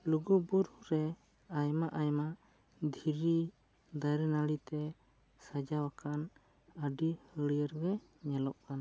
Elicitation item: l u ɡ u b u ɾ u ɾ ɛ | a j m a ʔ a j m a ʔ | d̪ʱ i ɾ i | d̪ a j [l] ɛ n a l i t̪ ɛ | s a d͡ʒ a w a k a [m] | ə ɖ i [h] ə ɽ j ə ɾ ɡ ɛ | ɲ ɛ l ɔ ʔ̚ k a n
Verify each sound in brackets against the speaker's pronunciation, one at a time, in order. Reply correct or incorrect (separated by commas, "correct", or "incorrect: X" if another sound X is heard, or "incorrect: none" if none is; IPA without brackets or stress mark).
incorrect: ɾ, incorrect: n, correct